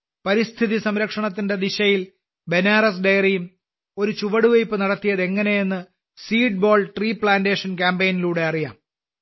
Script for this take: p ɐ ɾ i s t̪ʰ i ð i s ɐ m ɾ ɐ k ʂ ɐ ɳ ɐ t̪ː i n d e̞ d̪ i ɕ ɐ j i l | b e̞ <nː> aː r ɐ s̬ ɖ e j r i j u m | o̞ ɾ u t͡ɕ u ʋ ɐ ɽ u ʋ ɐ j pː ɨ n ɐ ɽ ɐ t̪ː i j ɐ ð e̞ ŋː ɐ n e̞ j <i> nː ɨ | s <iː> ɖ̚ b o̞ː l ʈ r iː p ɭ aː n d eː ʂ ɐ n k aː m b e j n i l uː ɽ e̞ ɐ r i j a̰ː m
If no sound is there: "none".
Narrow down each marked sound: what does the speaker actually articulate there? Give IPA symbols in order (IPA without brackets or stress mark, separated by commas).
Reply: n, e, iː